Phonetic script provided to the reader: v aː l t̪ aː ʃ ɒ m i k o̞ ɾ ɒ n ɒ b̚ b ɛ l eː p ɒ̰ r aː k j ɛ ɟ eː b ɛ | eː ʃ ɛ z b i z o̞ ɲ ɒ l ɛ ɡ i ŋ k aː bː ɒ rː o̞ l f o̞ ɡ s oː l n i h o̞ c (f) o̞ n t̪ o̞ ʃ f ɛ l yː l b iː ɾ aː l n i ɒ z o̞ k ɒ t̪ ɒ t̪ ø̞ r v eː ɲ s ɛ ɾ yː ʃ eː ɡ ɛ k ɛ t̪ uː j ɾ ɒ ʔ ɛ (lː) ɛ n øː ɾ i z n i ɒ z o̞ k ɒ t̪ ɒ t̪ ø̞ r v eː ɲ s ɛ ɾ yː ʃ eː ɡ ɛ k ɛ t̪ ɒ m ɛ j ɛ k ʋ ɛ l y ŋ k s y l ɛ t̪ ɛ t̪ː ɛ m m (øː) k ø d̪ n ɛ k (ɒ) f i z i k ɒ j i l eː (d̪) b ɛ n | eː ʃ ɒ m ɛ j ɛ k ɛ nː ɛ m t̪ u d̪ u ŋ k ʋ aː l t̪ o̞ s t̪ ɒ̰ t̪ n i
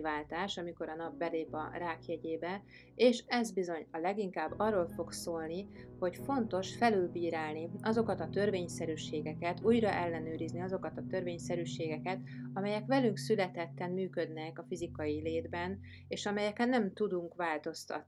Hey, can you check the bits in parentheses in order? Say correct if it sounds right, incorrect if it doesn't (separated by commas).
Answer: correct, correct, incorrect, correct, correct